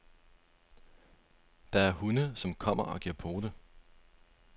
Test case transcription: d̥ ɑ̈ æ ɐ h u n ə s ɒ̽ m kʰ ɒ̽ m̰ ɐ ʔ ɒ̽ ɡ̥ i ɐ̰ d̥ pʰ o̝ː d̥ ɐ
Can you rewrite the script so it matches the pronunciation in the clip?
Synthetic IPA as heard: d̥ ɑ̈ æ ɐ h u n ə s ɒ̽ m kʰ ɒ̽ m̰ ɐ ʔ ɒ̽ ɡ̥ i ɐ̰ pʰ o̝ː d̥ ə